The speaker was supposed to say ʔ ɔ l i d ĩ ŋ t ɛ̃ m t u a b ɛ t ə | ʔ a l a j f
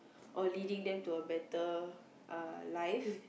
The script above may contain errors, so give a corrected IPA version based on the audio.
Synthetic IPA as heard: ʔ ɔ l i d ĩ ŋ d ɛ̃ m t u ə b ɛ t ə | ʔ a l a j f